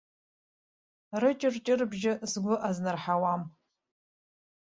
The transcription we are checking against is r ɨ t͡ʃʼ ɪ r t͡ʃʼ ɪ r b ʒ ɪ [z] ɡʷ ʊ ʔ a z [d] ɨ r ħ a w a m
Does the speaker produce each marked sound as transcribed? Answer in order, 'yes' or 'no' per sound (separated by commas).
yes, no